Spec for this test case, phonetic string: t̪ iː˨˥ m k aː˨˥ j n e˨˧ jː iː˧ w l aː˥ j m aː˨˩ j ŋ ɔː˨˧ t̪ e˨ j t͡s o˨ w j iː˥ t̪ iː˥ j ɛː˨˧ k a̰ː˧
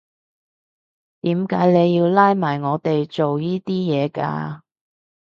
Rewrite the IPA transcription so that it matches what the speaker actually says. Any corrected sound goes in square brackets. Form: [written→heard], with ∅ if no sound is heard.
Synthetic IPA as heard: t̪ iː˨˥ m k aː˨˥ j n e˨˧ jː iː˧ w l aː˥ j m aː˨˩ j ŋ ɔː˨˧ t̪ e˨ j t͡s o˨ w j iː˥ t̪ iː˥ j ɛː˨˧ k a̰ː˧